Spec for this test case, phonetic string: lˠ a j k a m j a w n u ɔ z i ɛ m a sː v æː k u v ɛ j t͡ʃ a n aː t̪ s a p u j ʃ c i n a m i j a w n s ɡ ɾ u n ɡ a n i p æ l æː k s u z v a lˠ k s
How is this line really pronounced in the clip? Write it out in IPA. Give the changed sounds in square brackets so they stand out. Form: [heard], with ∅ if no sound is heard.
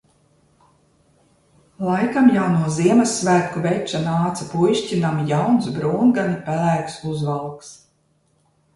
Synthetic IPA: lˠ a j k a m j a w n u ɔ z i ɛ m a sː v æː k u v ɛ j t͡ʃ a n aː t̪ s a p u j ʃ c i n a m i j a w n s [b] ɾ [uː] n ɡ a n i p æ l æː k s u z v a lˠ k s